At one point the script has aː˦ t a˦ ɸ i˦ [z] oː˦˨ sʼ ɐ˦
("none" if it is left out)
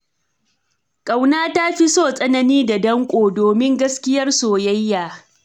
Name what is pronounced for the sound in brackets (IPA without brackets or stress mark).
s